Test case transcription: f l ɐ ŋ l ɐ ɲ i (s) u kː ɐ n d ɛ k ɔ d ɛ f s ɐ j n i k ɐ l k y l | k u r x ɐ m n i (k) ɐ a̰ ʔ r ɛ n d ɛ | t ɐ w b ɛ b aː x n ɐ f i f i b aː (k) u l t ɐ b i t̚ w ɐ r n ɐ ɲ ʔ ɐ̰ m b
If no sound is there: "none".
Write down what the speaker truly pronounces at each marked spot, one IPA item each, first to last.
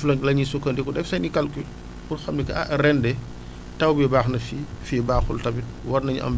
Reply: s, k, x

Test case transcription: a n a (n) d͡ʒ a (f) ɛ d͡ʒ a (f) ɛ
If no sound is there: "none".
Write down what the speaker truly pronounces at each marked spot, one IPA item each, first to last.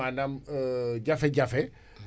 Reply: m, f, f

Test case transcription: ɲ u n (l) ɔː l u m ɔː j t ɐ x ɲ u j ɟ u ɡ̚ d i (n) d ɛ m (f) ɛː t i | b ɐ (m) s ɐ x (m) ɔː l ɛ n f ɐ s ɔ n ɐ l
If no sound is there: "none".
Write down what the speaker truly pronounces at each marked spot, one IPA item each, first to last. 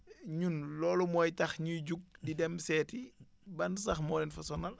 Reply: l, none, s, n, m

